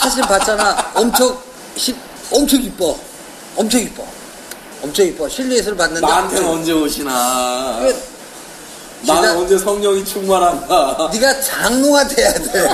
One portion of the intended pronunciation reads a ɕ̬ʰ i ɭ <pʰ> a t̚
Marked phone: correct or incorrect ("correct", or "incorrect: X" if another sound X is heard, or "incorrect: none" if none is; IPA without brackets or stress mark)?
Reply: incorrect: p